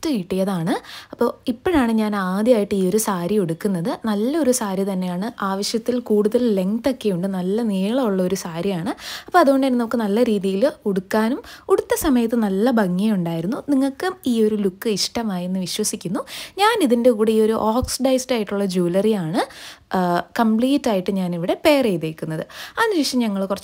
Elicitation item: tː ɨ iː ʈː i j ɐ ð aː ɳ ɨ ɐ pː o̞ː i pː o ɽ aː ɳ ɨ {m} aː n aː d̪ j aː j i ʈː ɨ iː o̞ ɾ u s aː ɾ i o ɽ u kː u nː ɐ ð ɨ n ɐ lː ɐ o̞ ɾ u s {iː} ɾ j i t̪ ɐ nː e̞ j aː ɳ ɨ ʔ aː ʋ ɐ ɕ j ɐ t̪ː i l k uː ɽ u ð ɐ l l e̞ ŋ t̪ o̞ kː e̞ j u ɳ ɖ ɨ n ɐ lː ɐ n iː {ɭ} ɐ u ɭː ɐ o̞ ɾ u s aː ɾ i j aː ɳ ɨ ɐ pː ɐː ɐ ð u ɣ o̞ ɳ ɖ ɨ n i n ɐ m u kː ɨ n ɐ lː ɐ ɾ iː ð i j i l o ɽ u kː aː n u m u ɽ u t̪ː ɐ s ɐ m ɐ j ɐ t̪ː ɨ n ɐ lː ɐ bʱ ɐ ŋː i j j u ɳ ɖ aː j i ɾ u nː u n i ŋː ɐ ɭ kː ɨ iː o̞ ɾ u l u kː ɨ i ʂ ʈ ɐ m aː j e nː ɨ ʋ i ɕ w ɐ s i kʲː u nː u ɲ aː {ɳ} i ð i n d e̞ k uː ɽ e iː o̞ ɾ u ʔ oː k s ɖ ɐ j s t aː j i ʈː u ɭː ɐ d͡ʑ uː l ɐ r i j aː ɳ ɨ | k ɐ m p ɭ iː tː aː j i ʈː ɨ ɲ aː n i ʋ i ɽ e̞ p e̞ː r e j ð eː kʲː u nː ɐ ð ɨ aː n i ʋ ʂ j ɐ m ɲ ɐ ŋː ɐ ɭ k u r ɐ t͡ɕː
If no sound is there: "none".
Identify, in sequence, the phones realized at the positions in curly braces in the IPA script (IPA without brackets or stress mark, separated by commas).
ɲ, aː, ɭ, n